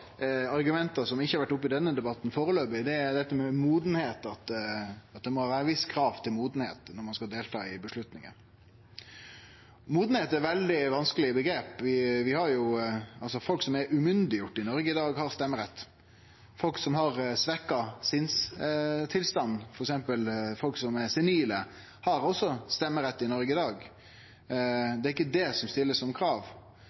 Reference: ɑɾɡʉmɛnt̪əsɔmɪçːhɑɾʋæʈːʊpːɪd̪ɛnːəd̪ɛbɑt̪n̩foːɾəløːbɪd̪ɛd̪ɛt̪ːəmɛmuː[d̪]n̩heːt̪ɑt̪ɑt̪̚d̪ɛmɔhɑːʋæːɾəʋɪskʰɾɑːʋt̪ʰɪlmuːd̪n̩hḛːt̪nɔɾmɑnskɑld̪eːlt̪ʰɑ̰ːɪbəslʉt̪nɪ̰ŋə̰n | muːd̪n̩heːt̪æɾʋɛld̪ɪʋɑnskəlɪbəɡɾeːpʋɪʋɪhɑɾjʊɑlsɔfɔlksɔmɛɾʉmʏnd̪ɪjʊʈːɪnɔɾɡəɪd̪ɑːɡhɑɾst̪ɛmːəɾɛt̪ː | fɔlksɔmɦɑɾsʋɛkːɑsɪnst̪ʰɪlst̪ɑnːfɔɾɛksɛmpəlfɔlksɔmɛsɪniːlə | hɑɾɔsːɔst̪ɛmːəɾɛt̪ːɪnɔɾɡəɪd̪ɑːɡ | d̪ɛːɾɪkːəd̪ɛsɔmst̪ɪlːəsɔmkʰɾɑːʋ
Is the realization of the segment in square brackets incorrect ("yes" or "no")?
no